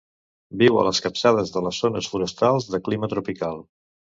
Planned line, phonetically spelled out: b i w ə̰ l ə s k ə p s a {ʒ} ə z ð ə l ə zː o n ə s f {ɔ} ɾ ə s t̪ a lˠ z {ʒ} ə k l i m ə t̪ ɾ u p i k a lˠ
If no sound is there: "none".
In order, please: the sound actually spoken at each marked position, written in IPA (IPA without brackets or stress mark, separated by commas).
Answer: ð, u, ð